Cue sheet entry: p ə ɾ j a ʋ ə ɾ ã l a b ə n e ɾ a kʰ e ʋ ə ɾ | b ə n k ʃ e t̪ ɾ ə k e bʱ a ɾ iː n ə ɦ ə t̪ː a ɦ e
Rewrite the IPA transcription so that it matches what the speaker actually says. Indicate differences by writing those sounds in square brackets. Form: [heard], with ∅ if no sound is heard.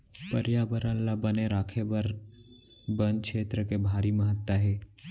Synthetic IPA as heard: p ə ɾ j a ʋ ə ɾ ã l a b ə n e ɾ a kʰ e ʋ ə ɾ | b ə n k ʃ e t̪ ɾ ə k e bʱ a ɾ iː [m] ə ɦ ə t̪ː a ɦ e